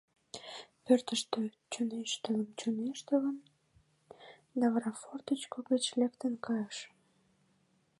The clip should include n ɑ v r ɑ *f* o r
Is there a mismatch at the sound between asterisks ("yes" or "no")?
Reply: no